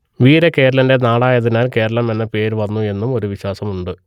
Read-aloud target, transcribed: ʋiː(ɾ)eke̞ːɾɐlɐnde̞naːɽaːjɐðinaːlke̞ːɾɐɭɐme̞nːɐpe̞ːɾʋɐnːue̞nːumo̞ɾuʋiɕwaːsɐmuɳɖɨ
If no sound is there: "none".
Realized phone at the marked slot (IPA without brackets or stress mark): ɾ